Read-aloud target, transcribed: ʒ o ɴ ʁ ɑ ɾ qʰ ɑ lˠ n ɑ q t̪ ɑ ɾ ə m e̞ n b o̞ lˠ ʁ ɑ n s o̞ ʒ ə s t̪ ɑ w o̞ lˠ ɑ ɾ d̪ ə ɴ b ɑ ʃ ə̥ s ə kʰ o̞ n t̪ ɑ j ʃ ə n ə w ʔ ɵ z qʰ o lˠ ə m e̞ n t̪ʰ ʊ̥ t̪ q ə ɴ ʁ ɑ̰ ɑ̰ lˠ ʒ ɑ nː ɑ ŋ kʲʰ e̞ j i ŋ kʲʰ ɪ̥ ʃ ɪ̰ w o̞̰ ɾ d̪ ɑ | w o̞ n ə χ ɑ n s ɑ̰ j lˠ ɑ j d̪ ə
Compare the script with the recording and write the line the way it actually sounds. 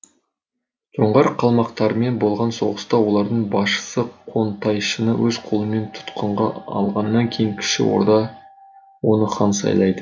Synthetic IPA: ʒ o ɴ ʁ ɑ ɾ qʰ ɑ lˠ m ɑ q t̪ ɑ ɾ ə m e̞ n b o̞ lˠ ʁ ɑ n s o̞ ʁ ə s t̪ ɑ w o̞ lˠ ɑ ɾ d̪ ə ɴ b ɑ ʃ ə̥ s ə qʰ o̞ n t̪ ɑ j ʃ ə n ə w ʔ ɵ z qʰ o lˠ ə m e̞ n t̪ʰ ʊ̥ t̪ q ə ɴ ʁ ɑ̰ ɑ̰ lˠ ʁ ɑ nː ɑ ŋ kʲʰ e̞ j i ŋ kʲʰ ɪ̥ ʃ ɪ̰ w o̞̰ ɾ d̪ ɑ | w o̞ n ə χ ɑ n s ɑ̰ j lˠ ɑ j d̪ ə